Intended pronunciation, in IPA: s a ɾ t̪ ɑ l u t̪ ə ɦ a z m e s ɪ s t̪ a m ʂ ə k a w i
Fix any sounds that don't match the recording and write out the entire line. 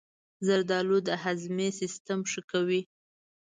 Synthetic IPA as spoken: z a ɾ d̪ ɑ l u d̪ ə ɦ a z m e s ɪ s t̪ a m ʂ ə k a w i

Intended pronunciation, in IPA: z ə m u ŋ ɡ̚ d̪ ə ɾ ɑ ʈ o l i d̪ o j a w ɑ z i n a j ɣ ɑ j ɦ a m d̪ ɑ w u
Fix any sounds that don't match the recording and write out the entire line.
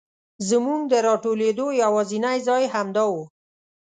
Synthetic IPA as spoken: z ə m u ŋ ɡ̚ d̪ ə ɾ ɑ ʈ o l e d̪ o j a w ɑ z i n a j z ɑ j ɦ a m d̪ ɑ w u

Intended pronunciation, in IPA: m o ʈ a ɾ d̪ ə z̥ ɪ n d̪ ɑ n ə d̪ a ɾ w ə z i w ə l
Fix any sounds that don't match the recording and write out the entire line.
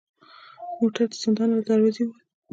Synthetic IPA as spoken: m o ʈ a ɾ d̪ ə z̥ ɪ n d̪ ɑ n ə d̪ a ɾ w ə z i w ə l

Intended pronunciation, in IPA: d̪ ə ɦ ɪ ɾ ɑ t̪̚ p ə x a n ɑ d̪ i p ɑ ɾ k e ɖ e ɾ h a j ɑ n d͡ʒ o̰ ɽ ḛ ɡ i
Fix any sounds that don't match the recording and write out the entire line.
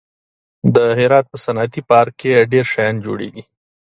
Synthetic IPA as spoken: d̪ ə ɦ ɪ ɾ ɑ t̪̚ p ə s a n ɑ t̪ i p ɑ ɾ k e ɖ e ɾ ʃ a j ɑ n d͡ʒ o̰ ɽ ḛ ɡ i

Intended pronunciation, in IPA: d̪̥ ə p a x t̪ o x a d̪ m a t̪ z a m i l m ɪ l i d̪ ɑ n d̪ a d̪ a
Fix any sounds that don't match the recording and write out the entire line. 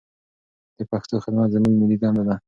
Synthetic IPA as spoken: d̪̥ ə p a x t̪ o x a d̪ m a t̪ z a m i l m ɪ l i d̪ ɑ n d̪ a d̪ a

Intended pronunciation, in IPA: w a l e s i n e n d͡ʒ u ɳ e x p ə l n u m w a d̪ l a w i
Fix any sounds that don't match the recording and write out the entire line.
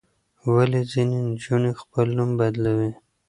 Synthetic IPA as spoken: w a l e z i n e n d͡ʒ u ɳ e x p ə l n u m b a d̪ l a w i

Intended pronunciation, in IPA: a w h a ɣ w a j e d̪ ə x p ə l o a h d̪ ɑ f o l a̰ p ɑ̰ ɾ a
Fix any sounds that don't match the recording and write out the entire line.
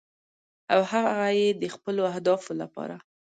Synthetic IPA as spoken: a w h a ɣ ɣ a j e d̪ ə x p ə l o a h d̪ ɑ f o l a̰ p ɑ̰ ɾ a

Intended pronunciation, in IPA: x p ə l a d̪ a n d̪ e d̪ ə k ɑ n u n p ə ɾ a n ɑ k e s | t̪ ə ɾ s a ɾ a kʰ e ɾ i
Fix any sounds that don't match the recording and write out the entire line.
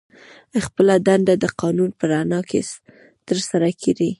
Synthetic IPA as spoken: x p ə l a d̪ a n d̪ a d̪ ə q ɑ n u n p ə ɾ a n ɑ k e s | t̪ ə ɾ s a ɾ a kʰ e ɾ i

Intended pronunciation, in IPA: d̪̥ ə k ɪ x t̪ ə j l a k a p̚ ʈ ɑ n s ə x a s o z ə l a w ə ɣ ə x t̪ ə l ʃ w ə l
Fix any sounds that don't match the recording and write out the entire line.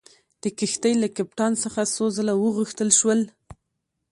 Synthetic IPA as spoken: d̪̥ ə k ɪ x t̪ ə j l a k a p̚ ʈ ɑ n s ə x a s o z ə l a w ə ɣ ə x t̪ ə l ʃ w ə l

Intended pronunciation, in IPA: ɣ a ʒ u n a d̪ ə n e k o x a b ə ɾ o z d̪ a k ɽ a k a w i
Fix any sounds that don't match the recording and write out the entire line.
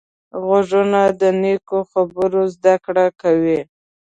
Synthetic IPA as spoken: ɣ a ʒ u n a d̪ ə n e k o x a b ə ɾ o z d̪ a k ɽ a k a w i

